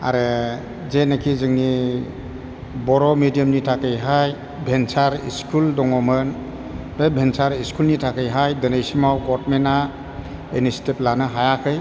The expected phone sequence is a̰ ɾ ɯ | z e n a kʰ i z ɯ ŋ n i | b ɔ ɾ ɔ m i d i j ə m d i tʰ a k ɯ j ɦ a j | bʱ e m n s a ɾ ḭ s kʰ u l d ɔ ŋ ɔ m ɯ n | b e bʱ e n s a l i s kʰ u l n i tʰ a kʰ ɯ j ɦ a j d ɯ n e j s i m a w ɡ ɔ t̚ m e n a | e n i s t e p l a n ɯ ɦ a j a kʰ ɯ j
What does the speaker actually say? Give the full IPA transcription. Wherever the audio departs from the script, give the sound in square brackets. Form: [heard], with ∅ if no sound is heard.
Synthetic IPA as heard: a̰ ɾ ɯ | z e n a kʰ i z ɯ ŋ n i | b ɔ ɾ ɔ m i d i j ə m [n] i tʰ a k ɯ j ɦ a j | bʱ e [∅] n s a ɾ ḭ s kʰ u l d ɔ ŋ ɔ m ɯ n | b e bʱ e n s a [ɾ] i s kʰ u l n i tʰ a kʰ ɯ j ɦ a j d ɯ n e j s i m a w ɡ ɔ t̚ m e n a | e n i s t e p l a n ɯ ɦ a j a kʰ ɯ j

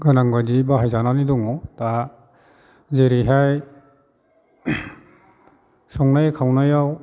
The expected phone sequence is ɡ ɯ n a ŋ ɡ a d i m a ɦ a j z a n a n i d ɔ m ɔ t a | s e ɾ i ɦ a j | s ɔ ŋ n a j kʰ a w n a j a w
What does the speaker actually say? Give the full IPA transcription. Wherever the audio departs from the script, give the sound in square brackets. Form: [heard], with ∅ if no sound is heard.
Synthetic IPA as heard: ɡ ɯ n a ŋ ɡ a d i [b] a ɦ a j z a n a n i d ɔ [ŋ] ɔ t a | [z] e ɾ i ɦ a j | s ɔ ŋ n a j kʰ a w n a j a w

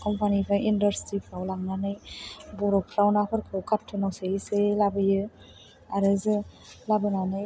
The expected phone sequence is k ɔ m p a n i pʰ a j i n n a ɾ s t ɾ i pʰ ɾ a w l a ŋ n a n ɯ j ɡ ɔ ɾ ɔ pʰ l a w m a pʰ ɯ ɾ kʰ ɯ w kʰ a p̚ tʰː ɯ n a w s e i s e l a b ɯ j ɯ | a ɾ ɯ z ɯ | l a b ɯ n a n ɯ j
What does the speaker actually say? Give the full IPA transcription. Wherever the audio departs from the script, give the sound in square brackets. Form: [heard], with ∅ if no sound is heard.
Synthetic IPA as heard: k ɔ m p a n i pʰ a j i n [d] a ɾ s t ɾ i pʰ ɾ a w l a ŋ n a n ɯ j [b] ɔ ɾ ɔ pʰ [ɾ] a w [n] a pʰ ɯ ɾ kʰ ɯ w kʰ a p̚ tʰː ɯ n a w s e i s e l a b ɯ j ɯ | a ɾ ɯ z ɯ | l a b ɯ n a n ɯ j

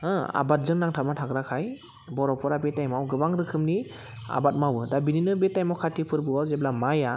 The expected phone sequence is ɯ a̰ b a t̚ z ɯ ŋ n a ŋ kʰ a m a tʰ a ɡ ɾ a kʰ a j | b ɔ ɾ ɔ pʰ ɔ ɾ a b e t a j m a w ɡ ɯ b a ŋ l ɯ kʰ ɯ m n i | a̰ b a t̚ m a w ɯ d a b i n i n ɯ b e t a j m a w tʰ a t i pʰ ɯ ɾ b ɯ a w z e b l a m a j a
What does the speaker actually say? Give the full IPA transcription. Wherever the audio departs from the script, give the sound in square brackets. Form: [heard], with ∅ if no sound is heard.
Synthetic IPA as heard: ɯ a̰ b a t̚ z ɯ ŋ n a ŋ [tʰ] a m a tʰ a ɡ ɾ a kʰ a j | b ɔ ɾ ɔ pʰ ɔ ɾ a b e t a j m a w ɡ ɯ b a ŋ [ɾ] ɯ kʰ ɯ m n i | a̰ b a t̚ m a w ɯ d a b i n i n ɯ b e t a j m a w [kʰ] a t i pʰ ɯ ɾ b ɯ a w z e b l a m a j a

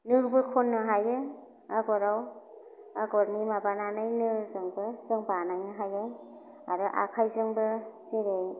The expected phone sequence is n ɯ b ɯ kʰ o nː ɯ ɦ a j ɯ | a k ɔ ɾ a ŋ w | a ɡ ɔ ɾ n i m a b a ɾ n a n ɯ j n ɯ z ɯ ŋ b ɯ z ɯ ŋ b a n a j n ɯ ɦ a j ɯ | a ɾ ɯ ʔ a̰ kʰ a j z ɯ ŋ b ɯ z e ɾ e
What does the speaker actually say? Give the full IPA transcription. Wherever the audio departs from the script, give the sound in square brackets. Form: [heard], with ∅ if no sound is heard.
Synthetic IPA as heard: n ɯ b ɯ kʰ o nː ɯ ɦ a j ɯ | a [ɡ] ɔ ɾ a [∅] w | a ɡ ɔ ɾ n i m a b a [∅] n a n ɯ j n ɯ z ɯ ŋ b ɯ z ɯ ŋ b a n a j n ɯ ɦ a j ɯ | a ɾ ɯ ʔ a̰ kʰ a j z ɯ ŋ b ɯ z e ɾ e

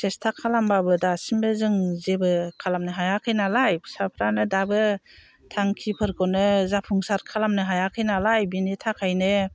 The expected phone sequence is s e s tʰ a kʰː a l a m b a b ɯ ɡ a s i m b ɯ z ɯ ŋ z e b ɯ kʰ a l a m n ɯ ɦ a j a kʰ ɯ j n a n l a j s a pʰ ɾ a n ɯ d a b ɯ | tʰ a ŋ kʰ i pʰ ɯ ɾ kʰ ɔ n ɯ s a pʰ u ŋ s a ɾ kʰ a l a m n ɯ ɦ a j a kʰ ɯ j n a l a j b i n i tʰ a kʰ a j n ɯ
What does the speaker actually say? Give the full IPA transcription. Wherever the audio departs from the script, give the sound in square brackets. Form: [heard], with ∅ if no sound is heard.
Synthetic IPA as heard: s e s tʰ a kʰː a l a m b a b ɯ [d] a s i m b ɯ z ɯ ŋ z e b ɯ kʰ a l a m n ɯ ɦ a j a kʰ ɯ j n a [∅] l a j s a pʰ ɾ a n ɯ d a b ɯ | tʰ a ŋ kʰ i pʰ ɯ ɾ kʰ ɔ n ɯ [z] a pʰ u ŋ s a ɾ kʰ a l a m n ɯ ɦ a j a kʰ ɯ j n a l a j b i n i tʰ a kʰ a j n ɯ

